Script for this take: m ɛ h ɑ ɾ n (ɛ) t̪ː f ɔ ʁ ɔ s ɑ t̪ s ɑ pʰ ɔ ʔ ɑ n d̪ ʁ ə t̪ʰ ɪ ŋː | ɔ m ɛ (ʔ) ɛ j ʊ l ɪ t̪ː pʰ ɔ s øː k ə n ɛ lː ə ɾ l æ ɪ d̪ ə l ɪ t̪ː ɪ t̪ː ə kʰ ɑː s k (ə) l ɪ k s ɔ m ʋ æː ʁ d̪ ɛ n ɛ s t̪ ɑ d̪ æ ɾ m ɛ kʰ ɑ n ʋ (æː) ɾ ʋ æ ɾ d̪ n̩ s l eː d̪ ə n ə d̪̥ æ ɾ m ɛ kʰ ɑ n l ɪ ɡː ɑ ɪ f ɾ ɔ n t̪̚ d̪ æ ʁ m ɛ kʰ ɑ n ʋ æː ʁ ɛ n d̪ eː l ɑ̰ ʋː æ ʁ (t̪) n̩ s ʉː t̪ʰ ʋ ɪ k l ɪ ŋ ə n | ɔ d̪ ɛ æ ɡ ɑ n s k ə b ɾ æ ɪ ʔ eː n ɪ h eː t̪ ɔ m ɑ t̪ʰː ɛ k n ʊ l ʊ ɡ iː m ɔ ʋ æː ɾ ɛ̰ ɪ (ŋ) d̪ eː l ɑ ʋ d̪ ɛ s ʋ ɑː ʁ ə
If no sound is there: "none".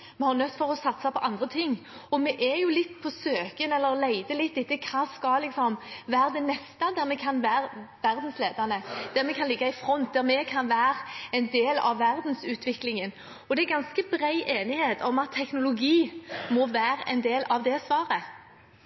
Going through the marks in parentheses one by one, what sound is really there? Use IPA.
œ, ʔ, ɑ, æː, d̪, n

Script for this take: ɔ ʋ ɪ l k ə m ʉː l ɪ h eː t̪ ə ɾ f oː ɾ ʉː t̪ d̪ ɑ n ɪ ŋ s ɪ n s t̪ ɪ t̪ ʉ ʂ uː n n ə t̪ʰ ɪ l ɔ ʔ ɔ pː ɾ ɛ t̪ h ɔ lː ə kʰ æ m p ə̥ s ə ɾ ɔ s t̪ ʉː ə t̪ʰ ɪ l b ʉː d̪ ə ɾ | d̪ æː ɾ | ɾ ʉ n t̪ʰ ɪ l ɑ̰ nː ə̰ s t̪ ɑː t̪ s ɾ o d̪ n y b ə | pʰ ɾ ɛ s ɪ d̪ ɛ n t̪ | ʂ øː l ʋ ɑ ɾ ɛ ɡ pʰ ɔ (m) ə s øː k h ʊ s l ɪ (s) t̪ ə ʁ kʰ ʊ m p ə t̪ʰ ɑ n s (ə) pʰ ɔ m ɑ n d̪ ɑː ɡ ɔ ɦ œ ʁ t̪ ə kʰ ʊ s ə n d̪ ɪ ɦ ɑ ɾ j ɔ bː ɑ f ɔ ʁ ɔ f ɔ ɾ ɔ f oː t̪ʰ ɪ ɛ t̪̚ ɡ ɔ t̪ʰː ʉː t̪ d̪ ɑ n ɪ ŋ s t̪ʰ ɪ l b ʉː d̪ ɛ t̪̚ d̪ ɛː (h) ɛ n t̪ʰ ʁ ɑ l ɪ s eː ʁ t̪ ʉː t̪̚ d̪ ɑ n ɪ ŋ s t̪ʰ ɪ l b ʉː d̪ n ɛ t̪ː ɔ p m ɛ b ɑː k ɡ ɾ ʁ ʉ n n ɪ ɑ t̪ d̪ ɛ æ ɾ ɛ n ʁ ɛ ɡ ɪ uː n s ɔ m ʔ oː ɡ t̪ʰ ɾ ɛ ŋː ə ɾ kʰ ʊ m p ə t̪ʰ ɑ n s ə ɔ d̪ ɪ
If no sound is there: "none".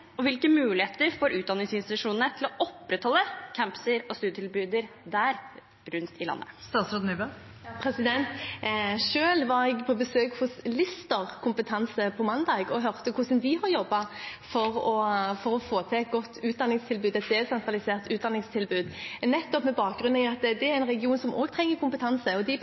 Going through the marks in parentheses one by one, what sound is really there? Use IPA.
b, s, ə, s

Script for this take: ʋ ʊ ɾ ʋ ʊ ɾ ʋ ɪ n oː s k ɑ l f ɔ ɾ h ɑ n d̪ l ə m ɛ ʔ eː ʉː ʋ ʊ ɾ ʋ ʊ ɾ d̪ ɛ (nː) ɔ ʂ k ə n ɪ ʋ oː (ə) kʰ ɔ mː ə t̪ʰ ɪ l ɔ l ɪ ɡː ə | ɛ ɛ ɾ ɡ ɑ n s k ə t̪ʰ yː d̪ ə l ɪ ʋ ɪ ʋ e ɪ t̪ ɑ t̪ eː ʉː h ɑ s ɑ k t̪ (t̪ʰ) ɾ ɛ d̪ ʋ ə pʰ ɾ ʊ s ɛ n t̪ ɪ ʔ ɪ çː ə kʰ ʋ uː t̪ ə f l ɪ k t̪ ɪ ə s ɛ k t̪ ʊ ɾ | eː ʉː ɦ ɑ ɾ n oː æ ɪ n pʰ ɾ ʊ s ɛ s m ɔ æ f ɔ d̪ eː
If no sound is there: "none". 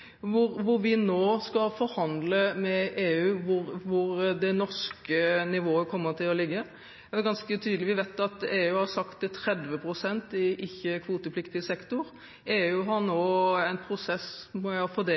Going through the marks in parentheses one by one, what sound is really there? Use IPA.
n, ə, t̪ʰ

